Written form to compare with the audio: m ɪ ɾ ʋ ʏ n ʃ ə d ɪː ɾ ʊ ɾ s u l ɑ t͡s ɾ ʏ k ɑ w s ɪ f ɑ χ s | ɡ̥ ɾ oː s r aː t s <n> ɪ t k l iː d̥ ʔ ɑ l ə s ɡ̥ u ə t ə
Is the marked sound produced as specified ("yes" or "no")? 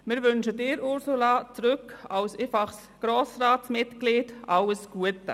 no